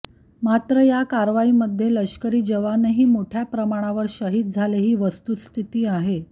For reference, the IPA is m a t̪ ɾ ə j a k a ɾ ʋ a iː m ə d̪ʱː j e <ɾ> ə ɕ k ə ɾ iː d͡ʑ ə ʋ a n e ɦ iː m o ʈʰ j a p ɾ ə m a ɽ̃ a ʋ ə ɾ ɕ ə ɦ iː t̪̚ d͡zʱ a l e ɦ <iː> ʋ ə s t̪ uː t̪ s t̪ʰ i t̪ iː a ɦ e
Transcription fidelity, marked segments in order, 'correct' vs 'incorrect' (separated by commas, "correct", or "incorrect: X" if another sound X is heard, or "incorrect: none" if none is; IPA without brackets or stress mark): incorrect: l, correct